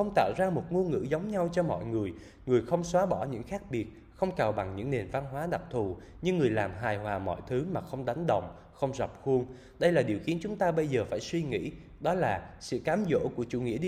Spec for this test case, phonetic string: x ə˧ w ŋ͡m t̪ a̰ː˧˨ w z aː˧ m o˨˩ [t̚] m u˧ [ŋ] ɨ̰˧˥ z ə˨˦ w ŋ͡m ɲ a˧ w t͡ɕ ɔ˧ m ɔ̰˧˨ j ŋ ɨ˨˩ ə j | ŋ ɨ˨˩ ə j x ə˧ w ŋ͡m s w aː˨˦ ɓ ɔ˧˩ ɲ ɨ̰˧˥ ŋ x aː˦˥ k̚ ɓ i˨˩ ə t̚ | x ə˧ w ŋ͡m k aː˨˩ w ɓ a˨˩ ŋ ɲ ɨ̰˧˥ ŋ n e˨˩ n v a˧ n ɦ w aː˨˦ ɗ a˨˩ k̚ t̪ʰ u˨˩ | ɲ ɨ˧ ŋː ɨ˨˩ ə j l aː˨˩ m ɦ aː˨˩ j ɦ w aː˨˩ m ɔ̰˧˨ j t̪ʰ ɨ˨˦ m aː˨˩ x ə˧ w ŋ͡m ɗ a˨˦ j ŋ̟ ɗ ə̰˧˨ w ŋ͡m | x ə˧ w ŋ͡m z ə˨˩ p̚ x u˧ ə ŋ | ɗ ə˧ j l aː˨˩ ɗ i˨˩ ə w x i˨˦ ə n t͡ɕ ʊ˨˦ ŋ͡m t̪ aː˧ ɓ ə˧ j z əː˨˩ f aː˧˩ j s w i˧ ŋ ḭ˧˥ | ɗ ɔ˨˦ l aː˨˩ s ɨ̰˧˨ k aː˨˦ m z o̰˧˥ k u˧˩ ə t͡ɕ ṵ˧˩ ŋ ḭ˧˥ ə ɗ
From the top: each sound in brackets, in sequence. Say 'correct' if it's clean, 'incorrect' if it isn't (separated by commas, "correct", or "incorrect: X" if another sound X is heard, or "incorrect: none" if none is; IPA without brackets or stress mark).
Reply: correct, correct